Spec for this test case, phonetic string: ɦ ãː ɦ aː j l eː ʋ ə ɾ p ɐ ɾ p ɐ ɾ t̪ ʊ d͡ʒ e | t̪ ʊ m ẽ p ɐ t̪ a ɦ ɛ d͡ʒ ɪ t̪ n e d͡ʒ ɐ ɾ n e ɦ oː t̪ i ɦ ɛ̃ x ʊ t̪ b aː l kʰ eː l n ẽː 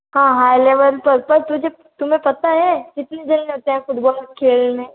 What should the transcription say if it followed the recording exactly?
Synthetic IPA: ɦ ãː ɦ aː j l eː ʋ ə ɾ p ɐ ɾ p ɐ ɾ t̪ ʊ d͡ʒ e | t̪ ʊ m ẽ p ɐ t̪ a ɦ ɛ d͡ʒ ɪ t̪ n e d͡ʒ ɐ l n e ɦ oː t̪ e ɦ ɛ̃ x ʊ d̪ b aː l kʰ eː l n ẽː